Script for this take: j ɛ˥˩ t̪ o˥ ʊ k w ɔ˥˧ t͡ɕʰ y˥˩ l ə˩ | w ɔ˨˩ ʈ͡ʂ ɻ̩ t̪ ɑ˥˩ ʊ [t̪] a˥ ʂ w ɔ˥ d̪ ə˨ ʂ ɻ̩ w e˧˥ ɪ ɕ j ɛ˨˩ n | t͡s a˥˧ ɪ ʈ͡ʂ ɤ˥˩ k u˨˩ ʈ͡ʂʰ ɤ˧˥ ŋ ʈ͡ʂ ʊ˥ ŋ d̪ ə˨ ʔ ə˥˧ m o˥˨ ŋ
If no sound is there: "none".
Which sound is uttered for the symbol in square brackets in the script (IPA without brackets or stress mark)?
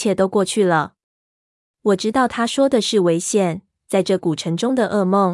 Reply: t̪ʰ